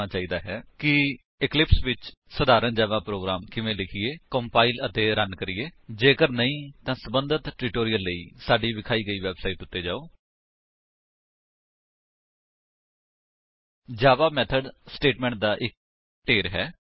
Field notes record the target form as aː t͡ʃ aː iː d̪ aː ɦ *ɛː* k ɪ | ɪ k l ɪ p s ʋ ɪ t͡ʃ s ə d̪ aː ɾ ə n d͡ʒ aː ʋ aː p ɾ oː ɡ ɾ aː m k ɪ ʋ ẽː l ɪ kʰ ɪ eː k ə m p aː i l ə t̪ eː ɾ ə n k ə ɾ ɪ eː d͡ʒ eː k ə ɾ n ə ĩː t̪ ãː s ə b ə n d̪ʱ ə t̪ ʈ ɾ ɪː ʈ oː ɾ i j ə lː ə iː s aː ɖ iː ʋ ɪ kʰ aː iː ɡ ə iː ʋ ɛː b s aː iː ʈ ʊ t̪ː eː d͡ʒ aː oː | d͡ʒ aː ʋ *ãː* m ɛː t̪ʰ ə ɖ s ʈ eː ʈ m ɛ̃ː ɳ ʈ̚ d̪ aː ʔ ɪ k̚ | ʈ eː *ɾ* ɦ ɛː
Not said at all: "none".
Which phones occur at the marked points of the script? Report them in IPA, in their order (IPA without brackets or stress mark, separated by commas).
ɛː, aː, ɾ